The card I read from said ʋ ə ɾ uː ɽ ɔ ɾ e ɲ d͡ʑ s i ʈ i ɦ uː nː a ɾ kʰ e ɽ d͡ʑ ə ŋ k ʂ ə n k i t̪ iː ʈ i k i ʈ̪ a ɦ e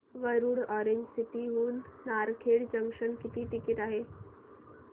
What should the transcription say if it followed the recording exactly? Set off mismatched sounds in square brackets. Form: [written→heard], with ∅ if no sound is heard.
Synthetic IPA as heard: ʋ ə ɾ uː ɽ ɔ ɾ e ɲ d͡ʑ s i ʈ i ɦ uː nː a ɾ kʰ e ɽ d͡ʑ ə ŋ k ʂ ə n k i t̪ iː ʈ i k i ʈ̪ a ɦ e